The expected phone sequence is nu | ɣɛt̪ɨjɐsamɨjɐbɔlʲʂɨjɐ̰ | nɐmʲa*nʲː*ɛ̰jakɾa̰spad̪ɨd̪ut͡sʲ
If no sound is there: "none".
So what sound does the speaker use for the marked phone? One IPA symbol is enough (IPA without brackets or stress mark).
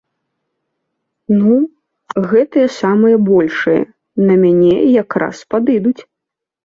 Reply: nʲ